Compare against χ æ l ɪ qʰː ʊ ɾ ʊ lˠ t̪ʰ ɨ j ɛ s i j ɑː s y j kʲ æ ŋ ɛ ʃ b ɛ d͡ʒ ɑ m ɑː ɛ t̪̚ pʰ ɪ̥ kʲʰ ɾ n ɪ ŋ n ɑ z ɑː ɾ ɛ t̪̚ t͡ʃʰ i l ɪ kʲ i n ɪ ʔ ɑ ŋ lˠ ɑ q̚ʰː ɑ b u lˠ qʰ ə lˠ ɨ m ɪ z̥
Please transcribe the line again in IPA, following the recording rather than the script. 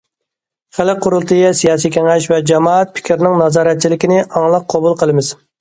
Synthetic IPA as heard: χ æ l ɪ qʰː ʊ ɾ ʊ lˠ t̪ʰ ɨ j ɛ s i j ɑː s i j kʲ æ ŋ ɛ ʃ v ɛ d͡ʒ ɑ m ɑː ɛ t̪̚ pʰ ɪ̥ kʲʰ ɾ n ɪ ŋ n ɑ z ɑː ɾ ɛ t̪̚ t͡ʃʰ i l ɪ kʲ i n ɪ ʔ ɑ ŋ lˠ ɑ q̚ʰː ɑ b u lˠ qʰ ə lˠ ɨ m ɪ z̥